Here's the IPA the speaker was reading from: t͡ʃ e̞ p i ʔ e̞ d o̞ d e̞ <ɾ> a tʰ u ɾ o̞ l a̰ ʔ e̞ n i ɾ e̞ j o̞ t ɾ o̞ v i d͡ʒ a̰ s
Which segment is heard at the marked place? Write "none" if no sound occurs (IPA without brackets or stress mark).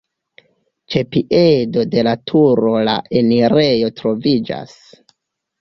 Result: l